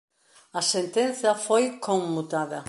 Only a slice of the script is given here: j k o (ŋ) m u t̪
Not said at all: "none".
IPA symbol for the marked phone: ŋ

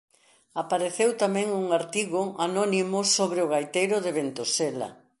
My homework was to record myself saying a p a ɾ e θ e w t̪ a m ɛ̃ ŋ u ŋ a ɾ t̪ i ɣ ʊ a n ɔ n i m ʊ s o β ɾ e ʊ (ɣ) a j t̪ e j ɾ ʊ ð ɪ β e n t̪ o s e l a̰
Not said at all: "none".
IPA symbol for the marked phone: ɣ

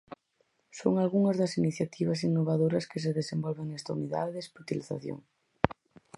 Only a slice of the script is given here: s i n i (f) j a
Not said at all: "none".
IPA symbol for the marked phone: θ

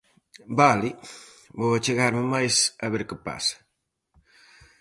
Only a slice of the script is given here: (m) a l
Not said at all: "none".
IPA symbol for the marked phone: b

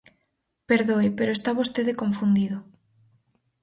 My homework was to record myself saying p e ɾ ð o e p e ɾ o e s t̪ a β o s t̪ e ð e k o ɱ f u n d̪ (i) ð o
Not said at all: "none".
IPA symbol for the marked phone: i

